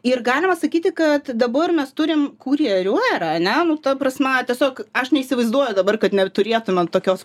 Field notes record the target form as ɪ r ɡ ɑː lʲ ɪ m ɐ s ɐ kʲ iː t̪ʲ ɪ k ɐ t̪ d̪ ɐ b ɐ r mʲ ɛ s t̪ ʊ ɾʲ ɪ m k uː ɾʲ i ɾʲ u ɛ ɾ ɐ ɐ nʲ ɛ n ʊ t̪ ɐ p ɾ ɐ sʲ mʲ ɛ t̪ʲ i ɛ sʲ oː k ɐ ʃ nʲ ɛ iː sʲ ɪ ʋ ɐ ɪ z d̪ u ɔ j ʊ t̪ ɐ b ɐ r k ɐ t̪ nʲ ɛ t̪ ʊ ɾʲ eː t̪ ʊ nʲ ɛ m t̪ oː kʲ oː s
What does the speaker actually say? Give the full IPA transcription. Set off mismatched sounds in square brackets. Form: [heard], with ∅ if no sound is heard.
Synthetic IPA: ɪ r ɡ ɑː lʲ ɪ m ɐ s ɐ kʲ iː t̪ʲ ɪ k ɐ t̪ d̪ ɐ b ɐ r mʲ ɛ s t̪ ʊ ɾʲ ɪ m k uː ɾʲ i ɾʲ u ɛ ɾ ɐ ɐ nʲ ɛ n ʊ t̪ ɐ p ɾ ɐ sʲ mʲ ɛ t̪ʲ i ɛ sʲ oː k ɐ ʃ nʲ ɛ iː sʲ ɪ ʋ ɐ ɪ z d̪ u ɔ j ʊ [d̪] ɐ b ɐ r k ɐ t̪ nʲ ɛ t̪ ʊ ɾʲ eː t̪ ʊ [mʲ] ɛ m t̪ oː kʲ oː s